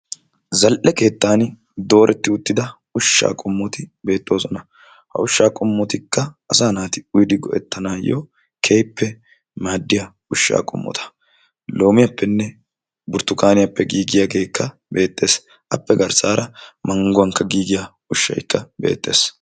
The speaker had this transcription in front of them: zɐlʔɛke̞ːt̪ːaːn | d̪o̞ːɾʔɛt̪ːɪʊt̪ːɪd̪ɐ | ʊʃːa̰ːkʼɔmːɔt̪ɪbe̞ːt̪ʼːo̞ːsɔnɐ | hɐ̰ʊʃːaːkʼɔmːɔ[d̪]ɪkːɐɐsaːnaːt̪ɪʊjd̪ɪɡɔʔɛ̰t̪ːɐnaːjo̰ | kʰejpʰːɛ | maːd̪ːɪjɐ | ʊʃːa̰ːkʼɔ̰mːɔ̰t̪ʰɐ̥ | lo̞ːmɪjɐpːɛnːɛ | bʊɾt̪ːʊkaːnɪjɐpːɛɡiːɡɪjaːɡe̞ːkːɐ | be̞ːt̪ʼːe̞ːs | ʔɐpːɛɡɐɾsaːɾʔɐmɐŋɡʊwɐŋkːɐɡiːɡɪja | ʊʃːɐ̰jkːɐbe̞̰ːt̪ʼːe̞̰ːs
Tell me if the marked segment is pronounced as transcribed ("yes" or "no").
no